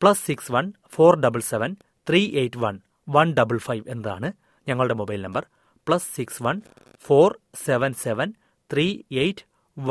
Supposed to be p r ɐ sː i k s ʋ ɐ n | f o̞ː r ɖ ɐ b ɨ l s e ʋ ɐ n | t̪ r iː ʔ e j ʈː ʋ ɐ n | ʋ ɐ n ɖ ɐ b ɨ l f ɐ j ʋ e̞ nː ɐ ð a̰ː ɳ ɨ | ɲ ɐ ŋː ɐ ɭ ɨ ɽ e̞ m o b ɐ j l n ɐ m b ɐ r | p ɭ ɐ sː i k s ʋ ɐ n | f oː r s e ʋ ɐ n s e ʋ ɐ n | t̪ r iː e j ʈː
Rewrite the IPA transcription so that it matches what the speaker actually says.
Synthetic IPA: p ɭ ɐ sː i k s ʋ ɐ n | f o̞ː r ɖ ɐ b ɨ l s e ʋ ɐ n | t̪ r iː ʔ e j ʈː ʋ ɐ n | ʋ ɐ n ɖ ɐ b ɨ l f ɐ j ʋ e̞ nː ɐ ð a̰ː ɳ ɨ | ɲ ɐ ŋː ɐ ɭ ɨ ɽ e̞ m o b ɐ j l n ɐ m b ɐ r | p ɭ ɐ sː i k s ʋ ɐ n | f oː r s e ʋ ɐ n s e ʋ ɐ n | t̪ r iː e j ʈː